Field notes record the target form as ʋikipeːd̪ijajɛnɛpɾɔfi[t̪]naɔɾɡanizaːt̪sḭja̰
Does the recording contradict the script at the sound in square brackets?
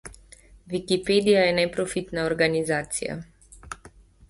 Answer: no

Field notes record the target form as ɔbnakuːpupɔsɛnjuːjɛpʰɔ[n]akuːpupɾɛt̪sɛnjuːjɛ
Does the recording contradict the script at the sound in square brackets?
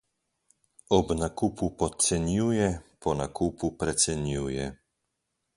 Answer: no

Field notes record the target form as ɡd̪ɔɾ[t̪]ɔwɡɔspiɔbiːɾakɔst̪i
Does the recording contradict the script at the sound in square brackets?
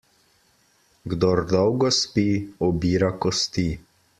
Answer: yes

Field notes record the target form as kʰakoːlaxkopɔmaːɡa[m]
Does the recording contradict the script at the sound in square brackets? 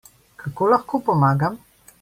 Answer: no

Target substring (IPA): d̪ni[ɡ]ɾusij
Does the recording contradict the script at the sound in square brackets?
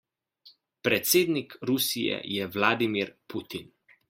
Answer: yes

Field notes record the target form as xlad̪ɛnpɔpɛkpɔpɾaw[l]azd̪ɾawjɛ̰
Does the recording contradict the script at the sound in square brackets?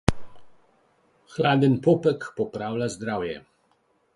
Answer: no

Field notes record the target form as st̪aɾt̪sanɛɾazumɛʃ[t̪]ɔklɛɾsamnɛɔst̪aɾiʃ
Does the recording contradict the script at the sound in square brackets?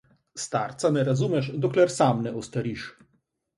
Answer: yes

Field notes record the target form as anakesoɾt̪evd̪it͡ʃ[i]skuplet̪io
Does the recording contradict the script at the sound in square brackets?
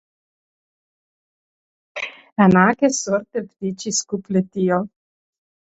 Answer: no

